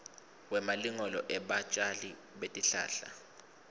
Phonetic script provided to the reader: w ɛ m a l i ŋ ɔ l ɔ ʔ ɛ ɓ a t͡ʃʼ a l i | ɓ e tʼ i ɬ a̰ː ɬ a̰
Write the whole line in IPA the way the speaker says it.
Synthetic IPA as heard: w ɛ m a l i ŋ ɔ l ɔ ʔ ɛ ɓ a t͡ʃʼ a l i | ɓ e tʼ i ɬ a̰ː ɬ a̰